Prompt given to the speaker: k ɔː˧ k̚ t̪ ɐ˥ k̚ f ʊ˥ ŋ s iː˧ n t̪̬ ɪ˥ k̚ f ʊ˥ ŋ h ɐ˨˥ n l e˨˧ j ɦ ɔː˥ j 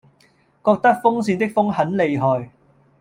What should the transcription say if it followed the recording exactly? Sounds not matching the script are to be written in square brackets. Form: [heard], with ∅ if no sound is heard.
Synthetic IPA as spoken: k ɔː˧ k̚ t̪ ɐ˥ k̚ f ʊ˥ ŋ s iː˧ n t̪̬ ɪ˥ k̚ f ʊ˥ ŋ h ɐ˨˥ n l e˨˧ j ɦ [ɔː˨] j